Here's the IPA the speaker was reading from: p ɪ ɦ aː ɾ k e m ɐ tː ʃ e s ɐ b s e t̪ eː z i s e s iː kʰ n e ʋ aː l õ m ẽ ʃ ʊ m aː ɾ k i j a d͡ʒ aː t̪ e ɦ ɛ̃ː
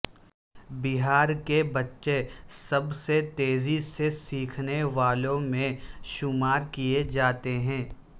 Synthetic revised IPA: b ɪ ɦ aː ɾ k e b ɐ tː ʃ e s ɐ b s e t̪ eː z i s e s iː kʰ n e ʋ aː l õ m ẽ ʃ ʊ m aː ɾ k i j e d͡ʒ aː t̪ e ɦ ɛ̃ː